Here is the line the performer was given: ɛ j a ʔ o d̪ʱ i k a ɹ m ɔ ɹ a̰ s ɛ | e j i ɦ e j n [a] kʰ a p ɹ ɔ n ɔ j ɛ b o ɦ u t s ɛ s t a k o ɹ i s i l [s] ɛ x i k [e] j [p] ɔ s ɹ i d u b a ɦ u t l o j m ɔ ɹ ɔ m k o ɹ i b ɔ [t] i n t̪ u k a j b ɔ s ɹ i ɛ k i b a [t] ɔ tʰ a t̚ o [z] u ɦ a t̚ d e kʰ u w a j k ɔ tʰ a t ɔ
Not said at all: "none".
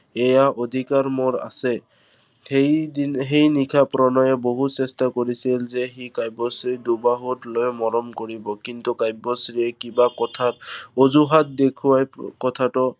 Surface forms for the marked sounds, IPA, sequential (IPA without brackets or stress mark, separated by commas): i, z, a, b, k, k, z